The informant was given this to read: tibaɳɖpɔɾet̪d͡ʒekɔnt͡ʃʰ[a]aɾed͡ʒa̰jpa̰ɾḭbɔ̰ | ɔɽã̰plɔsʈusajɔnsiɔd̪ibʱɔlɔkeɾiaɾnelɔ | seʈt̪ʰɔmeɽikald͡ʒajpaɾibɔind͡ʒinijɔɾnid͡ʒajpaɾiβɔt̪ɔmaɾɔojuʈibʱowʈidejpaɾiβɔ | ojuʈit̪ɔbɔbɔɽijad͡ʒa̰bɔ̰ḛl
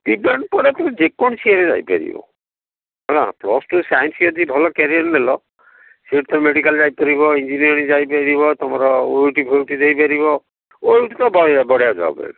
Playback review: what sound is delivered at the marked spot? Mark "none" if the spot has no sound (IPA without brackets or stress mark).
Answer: i